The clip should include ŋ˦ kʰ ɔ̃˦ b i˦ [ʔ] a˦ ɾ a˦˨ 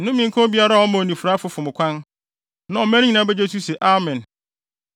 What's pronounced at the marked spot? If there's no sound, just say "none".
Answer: none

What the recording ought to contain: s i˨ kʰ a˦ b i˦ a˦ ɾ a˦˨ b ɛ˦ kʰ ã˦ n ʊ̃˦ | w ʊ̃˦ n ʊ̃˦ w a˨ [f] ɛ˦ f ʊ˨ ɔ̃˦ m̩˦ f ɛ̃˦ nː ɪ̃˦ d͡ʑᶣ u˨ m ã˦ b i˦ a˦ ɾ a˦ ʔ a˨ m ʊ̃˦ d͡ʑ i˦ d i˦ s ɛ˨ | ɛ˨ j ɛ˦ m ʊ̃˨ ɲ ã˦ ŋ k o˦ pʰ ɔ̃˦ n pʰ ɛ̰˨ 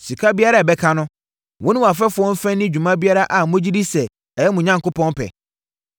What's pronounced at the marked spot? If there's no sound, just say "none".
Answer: f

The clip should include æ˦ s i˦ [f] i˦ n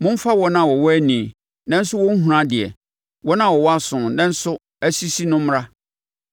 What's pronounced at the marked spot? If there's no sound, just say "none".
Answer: s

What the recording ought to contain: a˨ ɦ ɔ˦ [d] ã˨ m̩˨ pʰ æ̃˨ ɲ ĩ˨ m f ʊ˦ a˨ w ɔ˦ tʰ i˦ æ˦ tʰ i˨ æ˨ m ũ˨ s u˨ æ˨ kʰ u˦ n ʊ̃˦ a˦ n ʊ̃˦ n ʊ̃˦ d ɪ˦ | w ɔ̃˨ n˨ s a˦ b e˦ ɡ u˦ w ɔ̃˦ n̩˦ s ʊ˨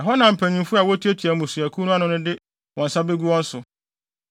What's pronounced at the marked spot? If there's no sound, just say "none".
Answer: n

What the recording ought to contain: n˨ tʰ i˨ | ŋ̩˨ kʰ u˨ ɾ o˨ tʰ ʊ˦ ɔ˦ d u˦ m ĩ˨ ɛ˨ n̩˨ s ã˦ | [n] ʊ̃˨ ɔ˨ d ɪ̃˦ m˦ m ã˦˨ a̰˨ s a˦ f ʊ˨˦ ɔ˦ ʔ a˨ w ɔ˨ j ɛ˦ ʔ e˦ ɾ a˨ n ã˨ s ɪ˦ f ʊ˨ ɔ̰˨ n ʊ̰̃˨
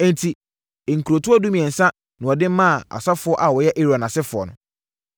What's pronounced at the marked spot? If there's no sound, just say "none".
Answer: n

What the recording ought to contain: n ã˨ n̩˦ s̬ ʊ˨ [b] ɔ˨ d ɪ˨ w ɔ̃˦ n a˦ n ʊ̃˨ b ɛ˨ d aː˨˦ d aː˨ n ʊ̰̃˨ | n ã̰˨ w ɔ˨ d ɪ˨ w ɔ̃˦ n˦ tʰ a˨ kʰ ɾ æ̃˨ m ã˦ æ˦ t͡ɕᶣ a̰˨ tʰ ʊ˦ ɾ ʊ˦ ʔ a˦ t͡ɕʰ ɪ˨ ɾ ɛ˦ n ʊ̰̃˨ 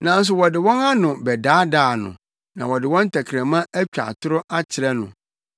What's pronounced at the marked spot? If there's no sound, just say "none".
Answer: w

